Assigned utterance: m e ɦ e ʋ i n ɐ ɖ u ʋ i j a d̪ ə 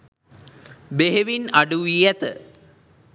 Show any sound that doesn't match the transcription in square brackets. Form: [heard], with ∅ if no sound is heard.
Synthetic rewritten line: [b] e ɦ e ʋ i n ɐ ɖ u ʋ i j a [t̪] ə